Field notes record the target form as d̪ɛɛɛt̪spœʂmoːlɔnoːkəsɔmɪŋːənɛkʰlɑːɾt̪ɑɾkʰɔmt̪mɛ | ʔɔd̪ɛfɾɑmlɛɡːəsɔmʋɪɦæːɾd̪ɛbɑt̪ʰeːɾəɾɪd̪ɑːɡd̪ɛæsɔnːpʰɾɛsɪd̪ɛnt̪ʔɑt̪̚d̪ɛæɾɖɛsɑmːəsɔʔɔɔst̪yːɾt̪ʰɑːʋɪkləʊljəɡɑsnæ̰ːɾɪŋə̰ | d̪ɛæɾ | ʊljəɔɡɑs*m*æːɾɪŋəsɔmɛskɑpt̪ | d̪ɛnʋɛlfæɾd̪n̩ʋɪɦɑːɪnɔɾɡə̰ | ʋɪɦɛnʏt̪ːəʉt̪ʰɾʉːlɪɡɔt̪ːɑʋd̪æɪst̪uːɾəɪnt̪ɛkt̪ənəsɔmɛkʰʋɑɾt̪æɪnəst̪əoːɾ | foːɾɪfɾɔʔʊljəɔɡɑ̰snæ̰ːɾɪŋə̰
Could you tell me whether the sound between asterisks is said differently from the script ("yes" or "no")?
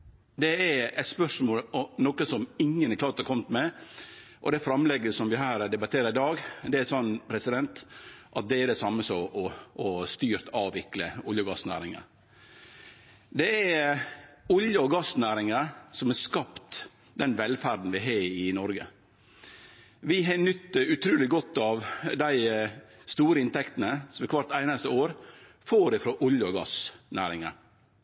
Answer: yes